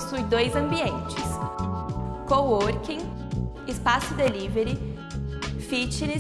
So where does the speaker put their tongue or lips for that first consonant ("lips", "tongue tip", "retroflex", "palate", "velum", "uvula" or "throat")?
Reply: tongue tip